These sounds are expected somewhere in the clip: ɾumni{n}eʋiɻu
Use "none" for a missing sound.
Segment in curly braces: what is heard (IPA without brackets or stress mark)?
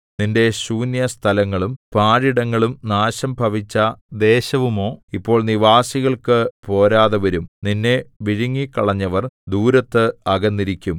nː